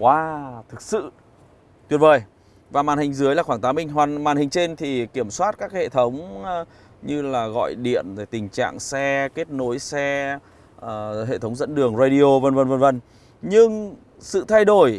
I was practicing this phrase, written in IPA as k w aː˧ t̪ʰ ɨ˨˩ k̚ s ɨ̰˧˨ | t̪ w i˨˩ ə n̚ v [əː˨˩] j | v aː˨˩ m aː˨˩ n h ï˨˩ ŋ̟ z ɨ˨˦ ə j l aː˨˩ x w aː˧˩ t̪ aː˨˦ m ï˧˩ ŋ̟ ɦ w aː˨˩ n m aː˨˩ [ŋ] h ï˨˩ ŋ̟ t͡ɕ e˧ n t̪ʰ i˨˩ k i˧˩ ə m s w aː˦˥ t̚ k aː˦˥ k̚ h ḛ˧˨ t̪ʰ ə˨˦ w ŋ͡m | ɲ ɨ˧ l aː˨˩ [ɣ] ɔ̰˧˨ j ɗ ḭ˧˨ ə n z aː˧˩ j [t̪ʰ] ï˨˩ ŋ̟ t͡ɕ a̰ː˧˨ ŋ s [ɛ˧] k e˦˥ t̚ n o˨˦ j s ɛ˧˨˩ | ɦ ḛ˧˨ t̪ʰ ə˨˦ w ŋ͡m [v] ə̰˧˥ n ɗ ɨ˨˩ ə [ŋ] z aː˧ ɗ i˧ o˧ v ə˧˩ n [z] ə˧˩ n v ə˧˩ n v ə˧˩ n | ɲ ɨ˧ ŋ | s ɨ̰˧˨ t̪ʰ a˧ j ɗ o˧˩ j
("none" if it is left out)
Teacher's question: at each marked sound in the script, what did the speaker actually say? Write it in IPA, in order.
əː˨˩, n, ɣ, t̪, ɛ˧, z, ŋ, v

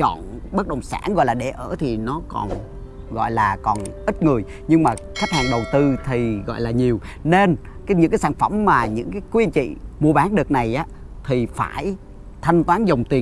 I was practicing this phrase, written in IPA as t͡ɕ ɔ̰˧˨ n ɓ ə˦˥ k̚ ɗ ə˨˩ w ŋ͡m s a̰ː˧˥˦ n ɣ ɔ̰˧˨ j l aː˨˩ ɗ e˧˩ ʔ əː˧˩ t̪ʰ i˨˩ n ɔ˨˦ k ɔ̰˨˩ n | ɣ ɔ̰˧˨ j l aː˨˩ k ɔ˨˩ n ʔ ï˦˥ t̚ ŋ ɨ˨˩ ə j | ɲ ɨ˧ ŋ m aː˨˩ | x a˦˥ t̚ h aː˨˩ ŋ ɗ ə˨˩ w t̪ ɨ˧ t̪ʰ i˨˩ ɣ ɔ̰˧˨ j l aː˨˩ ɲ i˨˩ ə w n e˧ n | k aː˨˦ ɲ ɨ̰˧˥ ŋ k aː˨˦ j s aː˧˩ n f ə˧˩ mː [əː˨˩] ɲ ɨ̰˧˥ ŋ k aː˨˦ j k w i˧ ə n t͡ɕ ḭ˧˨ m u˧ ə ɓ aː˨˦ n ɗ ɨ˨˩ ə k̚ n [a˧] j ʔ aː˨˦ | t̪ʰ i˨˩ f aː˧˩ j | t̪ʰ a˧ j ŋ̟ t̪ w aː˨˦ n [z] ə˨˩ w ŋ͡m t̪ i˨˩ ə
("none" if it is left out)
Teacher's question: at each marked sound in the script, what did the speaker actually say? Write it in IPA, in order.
aː˨˩, a˨˩, z

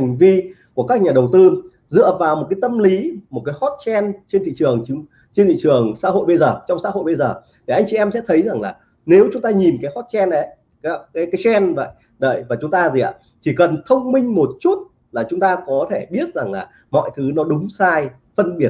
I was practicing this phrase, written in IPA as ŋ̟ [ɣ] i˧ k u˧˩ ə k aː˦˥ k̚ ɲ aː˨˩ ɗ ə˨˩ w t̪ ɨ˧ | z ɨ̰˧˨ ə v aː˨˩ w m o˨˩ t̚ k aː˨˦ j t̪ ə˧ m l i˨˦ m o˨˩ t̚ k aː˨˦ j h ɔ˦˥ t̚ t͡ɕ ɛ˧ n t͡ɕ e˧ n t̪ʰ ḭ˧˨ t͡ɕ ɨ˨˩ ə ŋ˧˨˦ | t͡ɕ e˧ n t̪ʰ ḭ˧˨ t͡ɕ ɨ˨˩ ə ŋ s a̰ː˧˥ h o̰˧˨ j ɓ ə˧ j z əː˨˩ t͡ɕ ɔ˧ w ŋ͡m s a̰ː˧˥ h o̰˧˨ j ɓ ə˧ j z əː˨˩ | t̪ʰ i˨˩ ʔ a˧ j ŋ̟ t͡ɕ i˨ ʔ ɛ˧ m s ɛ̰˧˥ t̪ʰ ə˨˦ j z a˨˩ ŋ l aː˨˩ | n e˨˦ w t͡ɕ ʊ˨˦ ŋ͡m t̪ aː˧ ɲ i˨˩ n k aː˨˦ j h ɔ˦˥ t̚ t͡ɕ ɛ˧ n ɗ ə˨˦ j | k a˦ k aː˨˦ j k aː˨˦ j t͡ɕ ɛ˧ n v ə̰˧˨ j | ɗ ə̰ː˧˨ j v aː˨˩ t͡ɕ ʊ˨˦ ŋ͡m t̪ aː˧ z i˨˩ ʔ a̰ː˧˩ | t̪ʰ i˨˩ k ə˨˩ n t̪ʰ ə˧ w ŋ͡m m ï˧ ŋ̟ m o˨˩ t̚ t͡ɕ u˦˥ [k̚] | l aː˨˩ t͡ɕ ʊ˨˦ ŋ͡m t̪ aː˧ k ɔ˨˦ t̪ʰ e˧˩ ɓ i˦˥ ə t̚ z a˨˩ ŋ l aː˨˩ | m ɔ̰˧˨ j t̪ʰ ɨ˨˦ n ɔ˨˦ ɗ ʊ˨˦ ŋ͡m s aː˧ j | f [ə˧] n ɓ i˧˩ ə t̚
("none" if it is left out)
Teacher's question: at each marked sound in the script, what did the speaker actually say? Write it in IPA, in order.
v, t̚, ə˧

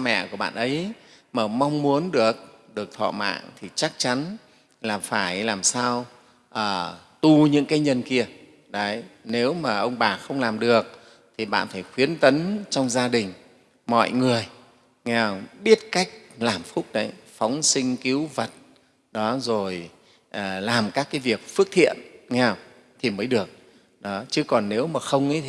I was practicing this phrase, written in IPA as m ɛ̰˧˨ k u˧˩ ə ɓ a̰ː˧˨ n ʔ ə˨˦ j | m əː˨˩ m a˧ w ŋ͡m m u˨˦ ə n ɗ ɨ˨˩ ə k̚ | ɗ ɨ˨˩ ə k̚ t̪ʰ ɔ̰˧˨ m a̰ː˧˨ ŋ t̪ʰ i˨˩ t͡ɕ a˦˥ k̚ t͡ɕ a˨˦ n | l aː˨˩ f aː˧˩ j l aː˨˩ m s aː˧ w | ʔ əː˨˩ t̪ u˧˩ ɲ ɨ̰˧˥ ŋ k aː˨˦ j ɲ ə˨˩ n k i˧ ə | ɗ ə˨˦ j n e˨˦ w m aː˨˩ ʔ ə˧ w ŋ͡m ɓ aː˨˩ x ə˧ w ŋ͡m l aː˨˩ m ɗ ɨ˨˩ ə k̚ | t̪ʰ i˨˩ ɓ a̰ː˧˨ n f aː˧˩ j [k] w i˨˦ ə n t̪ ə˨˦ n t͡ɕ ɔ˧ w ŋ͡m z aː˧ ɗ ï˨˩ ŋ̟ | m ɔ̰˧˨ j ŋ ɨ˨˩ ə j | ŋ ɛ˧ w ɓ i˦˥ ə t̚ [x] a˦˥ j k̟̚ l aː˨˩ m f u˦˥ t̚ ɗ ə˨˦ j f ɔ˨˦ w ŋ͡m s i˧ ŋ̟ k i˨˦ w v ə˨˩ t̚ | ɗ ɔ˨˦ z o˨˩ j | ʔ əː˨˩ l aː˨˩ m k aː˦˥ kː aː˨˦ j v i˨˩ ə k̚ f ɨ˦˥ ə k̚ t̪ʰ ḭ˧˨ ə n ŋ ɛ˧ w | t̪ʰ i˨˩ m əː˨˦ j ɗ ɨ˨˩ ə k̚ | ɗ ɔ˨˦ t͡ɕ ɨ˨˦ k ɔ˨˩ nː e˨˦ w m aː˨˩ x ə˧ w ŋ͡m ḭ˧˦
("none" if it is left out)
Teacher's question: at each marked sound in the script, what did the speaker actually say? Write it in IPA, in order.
x, k

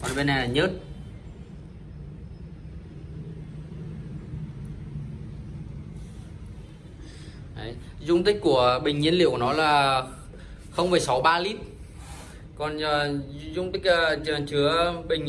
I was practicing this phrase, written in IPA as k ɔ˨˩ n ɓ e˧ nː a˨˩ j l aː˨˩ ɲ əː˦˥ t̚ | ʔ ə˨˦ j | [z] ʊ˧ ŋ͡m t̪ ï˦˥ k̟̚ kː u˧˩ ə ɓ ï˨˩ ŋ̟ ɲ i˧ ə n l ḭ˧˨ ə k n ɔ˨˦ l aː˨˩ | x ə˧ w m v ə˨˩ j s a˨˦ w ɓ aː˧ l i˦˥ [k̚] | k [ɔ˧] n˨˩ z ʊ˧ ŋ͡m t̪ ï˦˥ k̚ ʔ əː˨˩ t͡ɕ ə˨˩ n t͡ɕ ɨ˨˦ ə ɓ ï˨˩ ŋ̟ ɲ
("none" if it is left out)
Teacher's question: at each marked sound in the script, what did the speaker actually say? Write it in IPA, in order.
z, t̚, ɔ˨˩

